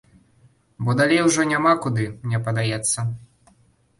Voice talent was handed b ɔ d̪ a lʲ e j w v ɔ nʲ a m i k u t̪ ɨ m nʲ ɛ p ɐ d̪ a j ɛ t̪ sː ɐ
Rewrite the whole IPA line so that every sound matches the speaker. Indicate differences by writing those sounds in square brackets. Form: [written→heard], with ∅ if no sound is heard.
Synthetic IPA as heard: b ɔ d̪ a lʲ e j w [v→ʐ] ɔ nʲ a m [i→a] k u [t̪→d̪] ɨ m nʲ ɛ p ɐ d̪ a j ɛ t̪ sː ɐ